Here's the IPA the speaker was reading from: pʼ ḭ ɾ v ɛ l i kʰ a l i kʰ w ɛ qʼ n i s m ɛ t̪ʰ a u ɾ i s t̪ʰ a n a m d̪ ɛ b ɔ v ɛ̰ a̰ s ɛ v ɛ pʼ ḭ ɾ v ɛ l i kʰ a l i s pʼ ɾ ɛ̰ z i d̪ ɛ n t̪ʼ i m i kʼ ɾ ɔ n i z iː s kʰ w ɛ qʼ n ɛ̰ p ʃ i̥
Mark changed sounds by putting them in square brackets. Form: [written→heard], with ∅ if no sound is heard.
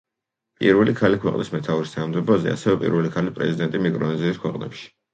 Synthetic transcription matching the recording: pʼ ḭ ɾ v ɛ l i kʰ a l i kʰ w ɛ qʼ n i s m ɛ t̪ʰ a u ɾ i s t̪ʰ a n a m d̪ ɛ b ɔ [v→z] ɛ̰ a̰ s ɛ v ɛ pʼ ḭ ɾ v ɛ l i kʰ a l i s pʼ ɾ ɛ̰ z i d̪ ɛ n t̪ʼ i m i kʼ ɾ ɔ n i z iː s kʰ w ɛ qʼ n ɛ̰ p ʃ i̥